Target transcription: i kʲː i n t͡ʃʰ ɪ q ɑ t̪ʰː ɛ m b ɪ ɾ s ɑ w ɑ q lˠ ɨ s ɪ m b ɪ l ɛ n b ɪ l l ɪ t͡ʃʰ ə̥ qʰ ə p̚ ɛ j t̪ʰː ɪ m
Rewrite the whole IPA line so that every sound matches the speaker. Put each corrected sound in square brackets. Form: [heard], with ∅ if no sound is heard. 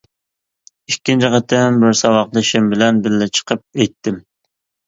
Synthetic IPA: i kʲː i n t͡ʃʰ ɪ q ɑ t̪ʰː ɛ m b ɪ ɾ s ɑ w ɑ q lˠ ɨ [ʃ] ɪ m b ɪ l ɛ n b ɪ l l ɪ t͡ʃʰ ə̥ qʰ ə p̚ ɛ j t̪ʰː ɪ m